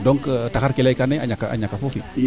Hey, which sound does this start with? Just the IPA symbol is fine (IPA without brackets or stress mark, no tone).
d